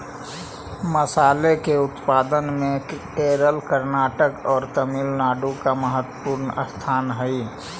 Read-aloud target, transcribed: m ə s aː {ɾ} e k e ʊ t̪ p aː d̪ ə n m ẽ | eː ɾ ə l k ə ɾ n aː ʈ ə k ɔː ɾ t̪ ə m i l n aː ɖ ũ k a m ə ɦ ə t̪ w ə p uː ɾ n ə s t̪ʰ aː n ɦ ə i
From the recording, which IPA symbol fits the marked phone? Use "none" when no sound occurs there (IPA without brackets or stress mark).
l